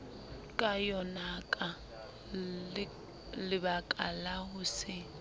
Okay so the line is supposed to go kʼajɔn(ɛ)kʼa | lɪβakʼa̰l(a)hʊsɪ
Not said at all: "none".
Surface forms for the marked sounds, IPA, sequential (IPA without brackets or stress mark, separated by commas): a, a